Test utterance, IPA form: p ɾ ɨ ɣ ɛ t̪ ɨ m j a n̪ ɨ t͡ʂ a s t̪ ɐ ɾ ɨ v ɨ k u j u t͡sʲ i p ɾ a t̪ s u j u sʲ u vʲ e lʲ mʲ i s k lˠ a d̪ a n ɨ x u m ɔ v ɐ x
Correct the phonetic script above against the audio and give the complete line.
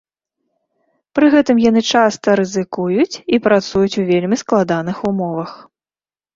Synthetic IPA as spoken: p ɾ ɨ ɣ ɛ t̪ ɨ m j a n̪ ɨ t͡ʂ a s t̪ ɐ ɾ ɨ z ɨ k u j u t͡sʲ i p ɾ a t̪ s u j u t͡sʲ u vʲ e lʲ mʲ i s k lˠ a d̪ a n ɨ x u m ɔ v ɐ x

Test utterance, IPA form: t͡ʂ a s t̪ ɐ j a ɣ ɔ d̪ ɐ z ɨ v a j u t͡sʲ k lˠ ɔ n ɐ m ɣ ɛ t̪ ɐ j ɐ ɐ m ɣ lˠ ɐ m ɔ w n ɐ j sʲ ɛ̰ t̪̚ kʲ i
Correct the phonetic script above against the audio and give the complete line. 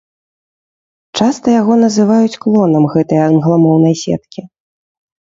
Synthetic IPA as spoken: t͡ʂ a s t̪ ɐ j a ɣ ɔ n̪ ɐ z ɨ v a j u t͡sʲ k lˠ ɔ n ɐ m ɣ ɛ t̪ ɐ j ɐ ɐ n ɣ lˠ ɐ m ɔ w n ɐ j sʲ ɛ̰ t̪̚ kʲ i

